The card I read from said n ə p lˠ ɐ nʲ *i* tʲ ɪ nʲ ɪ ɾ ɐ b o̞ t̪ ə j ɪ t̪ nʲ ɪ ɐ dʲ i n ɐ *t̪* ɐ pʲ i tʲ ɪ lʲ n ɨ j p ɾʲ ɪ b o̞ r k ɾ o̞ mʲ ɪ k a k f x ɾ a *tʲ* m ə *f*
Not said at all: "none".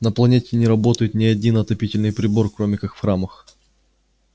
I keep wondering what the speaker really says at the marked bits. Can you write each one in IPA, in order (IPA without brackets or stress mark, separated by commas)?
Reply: e, t̪, none, x